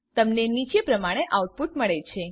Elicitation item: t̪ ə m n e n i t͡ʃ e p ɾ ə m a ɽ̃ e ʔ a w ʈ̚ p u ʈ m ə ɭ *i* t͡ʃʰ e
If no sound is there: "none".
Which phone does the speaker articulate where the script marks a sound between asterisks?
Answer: e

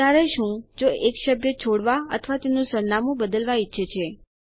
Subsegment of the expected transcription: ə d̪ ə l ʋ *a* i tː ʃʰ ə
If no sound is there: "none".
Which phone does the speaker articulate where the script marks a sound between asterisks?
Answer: a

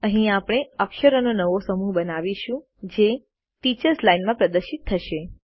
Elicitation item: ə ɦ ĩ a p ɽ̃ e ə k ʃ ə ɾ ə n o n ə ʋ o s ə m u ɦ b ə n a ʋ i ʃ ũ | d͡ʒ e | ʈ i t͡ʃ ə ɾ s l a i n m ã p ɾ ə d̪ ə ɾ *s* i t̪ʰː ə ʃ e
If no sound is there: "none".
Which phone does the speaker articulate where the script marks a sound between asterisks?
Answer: ʃ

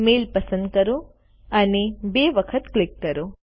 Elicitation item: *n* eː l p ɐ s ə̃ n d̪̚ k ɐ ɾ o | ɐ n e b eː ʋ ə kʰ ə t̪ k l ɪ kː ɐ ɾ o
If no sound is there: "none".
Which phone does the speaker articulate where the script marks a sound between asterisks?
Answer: m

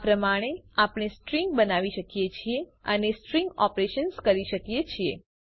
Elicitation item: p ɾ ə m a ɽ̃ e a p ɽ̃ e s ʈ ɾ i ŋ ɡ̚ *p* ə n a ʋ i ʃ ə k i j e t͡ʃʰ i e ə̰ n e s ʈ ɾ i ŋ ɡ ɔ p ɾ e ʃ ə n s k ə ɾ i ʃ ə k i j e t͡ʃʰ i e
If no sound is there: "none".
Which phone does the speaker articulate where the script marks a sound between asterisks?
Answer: b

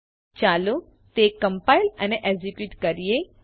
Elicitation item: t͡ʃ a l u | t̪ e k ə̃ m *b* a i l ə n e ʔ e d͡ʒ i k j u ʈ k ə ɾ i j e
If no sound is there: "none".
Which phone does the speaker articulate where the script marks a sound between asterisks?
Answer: p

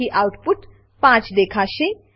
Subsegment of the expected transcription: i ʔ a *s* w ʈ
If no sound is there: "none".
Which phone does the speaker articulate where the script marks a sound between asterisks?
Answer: none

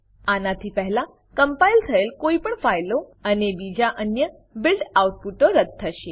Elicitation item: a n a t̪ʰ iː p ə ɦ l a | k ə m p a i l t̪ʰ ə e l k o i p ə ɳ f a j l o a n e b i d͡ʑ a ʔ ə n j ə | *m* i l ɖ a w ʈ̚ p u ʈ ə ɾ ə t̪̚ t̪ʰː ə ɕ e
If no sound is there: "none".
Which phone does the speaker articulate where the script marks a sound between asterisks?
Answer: b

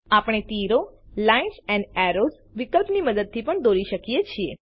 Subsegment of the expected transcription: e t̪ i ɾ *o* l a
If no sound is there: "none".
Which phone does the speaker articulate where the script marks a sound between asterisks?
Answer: o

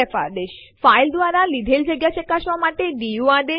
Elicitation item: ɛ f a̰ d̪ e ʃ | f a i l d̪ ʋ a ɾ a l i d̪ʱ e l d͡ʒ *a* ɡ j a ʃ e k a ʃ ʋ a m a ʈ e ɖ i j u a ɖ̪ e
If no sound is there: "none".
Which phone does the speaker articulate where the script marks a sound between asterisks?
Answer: ə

